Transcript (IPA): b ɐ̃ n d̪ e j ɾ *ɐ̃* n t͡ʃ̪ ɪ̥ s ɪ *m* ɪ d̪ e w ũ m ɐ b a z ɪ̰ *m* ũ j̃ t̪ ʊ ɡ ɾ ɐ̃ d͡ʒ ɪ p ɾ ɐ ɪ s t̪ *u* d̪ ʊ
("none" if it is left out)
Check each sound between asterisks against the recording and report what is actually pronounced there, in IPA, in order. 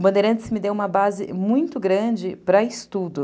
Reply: ɐ̃, m, m, u

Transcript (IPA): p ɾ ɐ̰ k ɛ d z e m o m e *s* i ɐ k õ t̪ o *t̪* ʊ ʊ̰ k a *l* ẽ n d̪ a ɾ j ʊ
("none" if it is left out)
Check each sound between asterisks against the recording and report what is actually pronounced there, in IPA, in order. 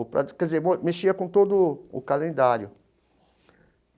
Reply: ʃ, d̪, l

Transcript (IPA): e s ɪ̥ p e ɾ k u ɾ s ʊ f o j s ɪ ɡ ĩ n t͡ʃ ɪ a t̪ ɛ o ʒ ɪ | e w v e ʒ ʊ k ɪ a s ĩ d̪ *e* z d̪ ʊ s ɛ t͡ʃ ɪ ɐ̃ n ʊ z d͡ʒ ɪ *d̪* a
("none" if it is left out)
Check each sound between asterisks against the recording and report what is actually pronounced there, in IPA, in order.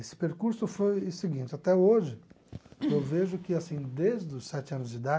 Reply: e, d̪

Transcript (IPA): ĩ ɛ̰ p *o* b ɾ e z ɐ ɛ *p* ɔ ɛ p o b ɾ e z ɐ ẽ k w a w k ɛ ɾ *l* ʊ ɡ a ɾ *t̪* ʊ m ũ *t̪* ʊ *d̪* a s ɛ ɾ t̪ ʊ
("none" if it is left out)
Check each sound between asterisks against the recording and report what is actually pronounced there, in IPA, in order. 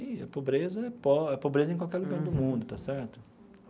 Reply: o, p, l, d̪, d̪, t̪

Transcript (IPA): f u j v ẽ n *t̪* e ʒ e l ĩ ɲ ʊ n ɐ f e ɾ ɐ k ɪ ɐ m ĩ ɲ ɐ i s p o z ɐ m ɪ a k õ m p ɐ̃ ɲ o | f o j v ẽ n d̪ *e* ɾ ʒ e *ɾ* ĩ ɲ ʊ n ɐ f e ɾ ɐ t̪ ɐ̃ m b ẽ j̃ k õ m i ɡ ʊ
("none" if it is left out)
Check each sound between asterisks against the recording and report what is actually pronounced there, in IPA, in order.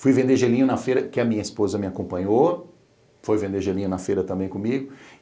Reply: d̪, e, l

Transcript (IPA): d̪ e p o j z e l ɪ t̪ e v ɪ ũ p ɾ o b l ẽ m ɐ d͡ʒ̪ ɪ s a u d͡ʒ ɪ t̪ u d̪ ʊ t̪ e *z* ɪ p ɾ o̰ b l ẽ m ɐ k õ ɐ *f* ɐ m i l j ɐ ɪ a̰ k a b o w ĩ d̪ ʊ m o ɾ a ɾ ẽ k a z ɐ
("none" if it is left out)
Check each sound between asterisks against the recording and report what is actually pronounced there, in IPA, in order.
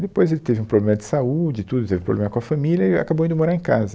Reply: v, f

